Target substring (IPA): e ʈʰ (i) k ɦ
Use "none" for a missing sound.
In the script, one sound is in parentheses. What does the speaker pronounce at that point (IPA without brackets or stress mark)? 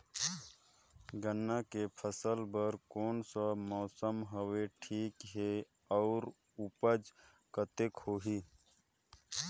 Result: iː